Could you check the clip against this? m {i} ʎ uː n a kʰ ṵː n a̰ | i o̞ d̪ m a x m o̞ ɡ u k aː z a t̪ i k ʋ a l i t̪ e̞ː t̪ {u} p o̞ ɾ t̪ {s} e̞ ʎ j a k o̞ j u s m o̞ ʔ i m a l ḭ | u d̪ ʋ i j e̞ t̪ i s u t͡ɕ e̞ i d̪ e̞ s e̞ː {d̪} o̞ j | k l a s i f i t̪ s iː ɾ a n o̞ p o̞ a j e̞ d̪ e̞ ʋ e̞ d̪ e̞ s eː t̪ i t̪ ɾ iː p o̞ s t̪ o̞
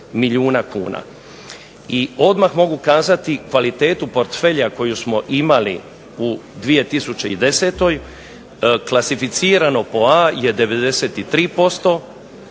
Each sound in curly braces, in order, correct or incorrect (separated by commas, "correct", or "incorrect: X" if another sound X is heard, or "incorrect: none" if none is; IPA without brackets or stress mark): correct, correct, incorrect: f, incorrect: t̪